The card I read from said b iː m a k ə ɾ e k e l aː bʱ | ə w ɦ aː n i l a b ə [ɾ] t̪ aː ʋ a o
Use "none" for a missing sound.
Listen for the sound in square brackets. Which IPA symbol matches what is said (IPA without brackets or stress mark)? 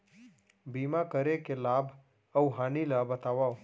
none